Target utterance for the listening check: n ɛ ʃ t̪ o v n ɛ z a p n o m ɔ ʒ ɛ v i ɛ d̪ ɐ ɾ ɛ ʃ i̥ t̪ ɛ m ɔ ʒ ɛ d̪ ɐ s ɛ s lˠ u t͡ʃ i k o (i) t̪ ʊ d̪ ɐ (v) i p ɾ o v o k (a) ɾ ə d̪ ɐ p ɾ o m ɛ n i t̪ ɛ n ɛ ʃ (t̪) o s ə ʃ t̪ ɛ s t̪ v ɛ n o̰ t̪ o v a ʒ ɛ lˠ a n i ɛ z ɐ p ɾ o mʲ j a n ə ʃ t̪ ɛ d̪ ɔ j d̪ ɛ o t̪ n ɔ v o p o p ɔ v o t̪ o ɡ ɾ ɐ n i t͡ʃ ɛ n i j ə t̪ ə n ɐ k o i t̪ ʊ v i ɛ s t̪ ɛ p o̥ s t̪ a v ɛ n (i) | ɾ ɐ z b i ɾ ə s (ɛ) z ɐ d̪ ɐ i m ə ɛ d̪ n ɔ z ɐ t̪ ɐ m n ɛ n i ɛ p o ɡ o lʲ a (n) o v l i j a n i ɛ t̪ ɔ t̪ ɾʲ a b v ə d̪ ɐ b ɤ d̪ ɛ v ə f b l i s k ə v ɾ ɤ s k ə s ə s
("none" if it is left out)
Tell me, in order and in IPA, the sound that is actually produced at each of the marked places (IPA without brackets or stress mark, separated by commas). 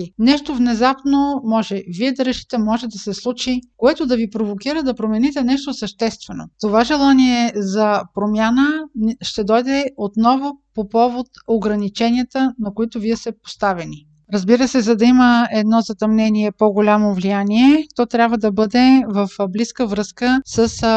ɛ, v, i, t̪, i, ɛ, m